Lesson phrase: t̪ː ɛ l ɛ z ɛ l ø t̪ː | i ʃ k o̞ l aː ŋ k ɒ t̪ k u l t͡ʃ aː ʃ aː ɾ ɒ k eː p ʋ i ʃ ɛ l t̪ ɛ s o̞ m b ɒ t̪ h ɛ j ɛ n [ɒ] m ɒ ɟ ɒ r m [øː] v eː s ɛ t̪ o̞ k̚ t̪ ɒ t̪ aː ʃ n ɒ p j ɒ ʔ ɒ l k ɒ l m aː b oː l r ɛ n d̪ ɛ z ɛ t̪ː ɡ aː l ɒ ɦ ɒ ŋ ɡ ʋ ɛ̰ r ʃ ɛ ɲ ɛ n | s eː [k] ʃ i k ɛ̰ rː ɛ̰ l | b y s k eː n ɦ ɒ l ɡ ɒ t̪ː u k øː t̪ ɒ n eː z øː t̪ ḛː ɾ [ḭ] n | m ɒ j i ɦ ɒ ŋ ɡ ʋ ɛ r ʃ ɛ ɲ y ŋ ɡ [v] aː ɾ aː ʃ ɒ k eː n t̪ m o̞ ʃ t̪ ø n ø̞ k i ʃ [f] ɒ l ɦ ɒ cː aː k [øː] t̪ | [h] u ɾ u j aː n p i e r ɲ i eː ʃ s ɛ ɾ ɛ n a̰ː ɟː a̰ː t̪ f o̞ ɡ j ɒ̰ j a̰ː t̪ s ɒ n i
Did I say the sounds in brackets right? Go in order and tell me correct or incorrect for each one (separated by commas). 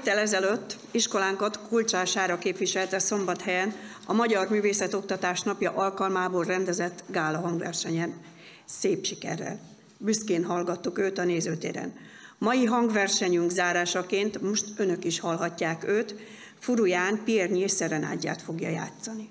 correct, incorrect, incorrect, incorrect, incorrect, incorrect, correct, incorrect